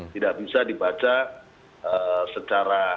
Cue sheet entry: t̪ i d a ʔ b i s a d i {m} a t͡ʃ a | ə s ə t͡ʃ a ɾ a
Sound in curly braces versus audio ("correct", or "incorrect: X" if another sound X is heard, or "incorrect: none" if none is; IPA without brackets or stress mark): incorrect: b